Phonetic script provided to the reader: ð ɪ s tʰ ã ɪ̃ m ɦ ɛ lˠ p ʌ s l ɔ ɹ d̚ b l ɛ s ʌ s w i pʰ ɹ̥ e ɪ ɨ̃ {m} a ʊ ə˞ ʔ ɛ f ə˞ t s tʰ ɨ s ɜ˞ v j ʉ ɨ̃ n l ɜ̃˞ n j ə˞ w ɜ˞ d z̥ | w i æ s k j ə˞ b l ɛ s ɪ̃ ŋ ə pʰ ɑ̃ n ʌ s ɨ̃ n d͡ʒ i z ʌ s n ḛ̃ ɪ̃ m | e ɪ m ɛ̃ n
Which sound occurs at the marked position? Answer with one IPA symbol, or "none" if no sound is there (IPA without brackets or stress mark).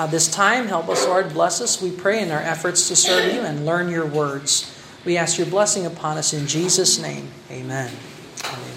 n